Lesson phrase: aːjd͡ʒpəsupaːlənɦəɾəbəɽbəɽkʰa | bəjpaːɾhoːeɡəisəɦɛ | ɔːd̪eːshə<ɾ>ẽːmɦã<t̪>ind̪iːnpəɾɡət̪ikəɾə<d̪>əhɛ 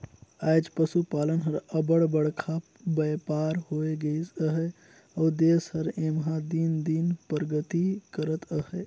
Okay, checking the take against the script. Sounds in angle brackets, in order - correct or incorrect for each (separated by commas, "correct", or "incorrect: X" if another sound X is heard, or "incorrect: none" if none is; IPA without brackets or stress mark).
correct, incorrect: d̪, incorrect: t̪